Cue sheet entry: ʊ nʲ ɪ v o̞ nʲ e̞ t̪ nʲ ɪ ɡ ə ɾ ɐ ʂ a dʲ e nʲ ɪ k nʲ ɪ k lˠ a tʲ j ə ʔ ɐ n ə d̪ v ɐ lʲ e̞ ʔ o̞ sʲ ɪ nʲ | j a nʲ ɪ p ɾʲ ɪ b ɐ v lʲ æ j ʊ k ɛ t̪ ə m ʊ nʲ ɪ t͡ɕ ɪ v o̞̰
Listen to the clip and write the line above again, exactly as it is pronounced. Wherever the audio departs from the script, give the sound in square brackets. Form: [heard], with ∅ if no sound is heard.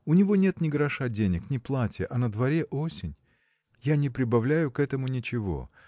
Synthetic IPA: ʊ nʲ ɪ v o̞ nʲ e̞ t̪ nʲ ɪ ɡ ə ɾ ɐ ʂ a dʲ e nʲ ɪ k nʲ ɪ [p] lˠ a tʲ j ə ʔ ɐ n ə d̪ v ɐ [ɾʲ] e̞ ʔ o̞ sʲ ɪ nʲ | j a nʲ ɪ p ɾʲ ɪ b ɐ v lʲ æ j ʊ k ɛ t̪ ə m ʊ nʲ ɪ t͡ɕ ɪ v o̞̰